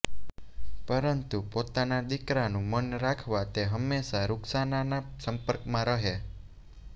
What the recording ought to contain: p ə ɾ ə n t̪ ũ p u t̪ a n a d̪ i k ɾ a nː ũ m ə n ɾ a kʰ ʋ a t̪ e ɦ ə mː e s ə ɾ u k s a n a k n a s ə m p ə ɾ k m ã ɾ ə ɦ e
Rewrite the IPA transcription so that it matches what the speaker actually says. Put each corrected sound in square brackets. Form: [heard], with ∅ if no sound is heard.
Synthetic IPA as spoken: p ə ɾ ə n t̪ [u] p [o] t̪ a n a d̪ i k ɾ a [n] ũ m ə n ɾ a kʰ ʋ a t̪ e ɦ ə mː e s [a] ɾ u k s a n a [∅] n a s ə m p ə ɾ k m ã ɾ ə ɦ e